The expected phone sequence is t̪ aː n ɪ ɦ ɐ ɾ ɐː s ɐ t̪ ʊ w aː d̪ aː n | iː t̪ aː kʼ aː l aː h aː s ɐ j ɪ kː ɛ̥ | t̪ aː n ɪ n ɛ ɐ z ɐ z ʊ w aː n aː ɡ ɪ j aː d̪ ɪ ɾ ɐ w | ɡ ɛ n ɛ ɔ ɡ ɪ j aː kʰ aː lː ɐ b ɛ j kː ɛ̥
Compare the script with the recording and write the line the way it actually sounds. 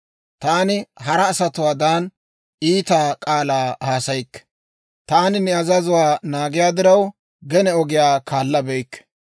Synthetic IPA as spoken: t̪ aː n ɪ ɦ ɐ ɾ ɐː s ɐ t̪ ʊ w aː d̪ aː n | iː t̪ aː kʼ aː l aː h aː s ɐ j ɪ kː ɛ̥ | t̪ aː n ɪ n ɛ ɐ z ɐ z ʊ w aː n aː ɡ ɪ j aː d̪ ɪ ɾ ɐ w | ɡ ɛ n ɛ ɔ ɡ ɪ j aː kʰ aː lː ɐ b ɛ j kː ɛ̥